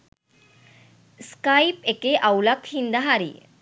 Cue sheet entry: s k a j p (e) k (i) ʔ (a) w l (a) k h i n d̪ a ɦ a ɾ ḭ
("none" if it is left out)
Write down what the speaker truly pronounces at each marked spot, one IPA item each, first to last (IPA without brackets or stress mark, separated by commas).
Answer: e, e, a, a